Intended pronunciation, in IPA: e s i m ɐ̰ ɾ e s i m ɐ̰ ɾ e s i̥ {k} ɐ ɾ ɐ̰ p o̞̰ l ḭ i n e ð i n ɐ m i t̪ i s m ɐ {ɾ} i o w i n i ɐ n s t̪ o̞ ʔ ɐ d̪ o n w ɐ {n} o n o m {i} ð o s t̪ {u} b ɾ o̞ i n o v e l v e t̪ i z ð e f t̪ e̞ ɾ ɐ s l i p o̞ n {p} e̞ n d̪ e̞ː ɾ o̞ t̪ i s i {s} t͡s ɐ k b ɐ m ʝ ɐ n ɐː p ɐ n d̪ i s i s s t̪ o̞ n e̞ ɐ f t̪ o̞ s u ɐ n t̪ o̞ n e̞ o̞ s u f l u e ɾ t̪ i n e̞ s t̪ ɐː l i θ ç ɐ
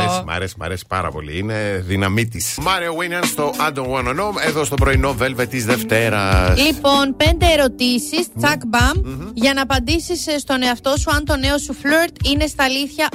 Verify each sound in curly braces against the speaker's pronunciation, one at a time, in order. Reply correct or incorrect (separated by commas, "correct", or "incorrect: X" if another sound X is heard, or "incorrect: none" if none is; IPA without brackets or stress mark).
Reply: incorrect: p, correct, correct, incorrect: e, incorrect: o, correct, correct